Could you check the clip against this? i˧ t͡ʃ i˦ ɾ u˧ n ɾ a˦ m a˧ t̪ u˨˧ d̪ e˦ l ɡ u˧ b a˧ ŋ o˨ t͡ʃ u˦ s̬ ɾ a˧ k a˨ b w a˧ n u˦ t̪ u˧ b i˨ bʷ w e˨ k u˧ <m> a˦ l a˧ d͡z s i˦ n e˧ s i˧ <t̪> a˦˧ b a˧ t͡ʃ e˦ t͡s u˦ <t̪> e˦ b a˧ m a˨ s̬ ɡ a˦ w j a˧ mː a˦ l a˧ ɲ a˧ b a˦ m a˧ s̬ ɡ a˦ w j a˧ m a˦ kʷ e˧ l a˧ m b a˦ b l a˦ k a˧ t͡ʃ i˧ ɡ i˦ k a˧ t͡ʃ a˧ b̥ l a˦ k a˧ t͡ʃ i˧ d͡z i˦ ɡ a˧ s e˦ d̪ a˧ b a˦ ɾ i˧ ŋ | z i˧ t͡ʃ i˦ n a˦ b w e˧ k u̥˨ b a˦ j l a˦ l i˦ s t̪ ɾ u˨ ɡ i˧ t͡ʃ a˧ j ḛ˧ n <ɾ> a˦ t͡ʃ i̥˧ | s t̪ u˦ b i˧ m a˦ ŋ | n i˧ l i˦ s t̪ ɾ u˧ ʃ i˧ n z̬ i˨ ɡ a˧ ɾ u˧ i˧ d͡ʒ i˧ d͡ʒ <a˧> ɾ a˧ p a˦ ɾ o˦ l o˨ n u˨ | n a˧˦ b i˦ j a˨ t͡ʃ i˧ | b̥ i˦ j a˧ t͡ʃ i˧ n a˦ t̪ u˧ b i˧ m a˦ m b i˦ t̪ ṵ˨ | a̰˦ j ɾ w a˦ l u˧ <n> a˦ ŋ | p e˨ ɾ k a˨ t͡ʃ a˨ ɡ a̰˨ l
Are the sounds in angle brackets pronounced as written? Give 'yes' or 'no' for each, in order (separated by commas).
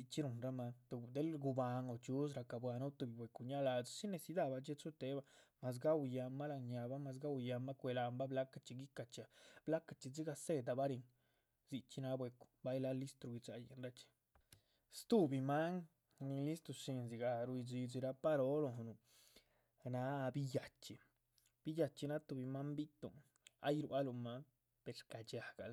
no, no, yes, yes, no, no